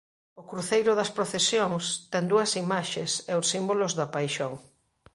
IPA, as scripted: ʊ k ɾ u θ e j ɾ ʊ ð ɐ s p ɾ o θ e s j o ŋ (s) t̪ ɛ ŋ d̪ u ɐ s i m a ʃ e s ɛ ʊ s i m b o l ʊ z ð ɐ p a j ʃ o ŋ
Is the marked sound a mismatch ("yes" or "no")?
no